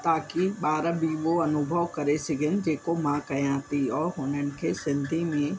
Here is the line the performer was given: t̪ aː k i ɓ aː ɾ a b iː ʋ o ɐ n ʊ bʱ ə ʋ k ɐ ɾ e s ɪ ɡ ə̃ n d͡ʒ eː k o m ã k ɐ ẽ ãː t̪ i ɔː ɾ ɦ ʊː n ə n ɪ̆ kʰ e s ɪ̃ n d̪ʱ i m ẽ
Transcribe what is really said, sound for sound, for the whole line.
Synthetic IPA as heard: t̪ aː k i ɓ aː ɾ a b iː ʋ o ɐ n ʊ bʱ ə ʋ k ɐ ɾ e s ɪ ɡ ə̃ n d͡ʒ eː k o m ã k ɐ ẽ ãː t̪ i ɔː ɾ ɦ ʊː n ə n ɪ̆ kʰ e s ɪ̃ n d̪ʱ i m ẽ